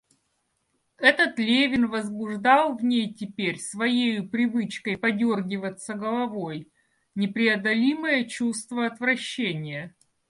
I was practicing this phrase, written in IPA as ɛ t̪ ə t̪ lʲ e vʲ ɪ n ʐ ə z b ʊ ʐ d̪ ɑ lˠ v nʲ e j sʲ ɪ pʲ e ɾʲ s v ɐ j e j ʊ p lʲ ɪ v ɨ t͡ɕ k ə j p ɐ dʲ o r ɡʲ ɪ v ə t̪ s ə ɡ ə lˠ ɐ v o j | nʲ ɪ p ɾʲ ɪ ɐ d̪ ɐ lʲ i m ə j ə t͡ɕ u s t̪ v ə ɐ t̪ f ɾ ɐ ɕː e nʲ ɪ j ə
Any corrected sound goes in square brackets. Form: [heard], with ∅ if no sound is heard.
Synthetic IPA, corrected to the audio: ɛ t̪ ə t̪ lʲ e vʲ ɪ n [v] ə z b ʊ ʐ d̪ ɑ lˠ v nʲ e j [tʲ] ɪ pʲ e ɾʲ s v ɐ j e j ʊ p [ɾʲ] ɪ v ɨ t͡ɕ k ə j p ɐ dʲ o r ɡʲ ɪ v ə t̪ s ə ɡ ə lˠ ɐ v o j | nʲ ɪ p ɾʲ ɪ ɐ d̪ ɐ lʲ i m ə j ə t͡ɕ u s t̪ v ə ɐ t̪ [v] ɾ ɐ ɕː e nʲ ɪ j ə